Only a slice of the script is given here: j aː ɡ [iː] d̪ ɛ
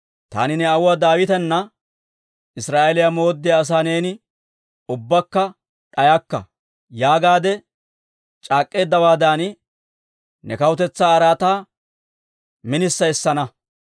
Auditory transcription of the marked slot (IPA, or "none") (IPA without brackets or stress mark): aː